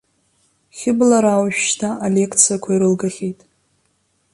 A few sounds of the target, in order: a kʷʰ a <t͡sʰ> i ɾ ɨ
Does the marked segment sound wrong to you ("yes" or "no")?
yes